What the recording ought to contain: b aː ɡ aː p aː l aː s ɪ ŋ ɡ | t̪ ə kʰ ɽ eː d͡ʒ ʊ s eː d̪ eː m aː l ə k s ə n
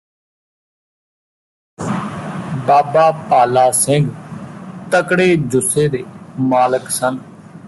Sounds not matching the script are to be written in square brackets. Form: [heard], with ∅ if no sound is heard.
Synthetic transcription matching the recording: b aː [b] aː p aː l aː s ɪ ŋ ɡ | t̪ ə [k] ɽ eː d͡ʒ ʊ s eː d̪ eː m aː l ə k s ə n